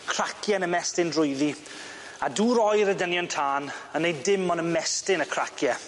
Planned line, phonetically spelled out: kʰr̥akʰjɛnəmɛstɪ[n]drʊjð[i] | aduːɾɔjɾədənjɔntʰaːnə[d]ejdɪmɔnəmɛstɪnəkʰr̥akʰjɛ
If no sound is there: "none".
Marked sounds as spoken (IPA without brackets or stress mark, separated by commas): n, i, n